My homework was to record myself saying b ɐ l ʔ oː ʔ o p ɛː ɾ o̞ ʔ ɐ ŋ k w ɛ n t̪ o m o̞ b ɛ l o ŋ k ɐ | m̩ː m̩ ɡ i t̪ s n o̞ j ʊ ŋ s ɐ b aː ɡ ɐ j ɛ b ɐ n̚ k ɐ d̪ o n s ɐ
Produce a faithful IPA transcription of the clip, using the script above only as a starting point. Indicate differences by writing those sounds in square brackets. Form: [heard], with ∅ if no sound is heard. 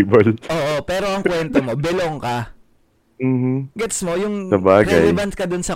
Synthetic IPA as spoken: b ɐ l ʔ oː ʔ o p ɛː ɾ o̞ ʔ ɐ ŋ k w ɛ n t̪ o m o̞ b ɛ l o ŋ k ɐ | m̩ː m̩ ɡ [ɛ] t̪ s [m] o̞ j ʊ ŋ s ɐ b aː ɡ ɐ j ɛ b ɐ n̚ k ɐ d̪ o n s ɐ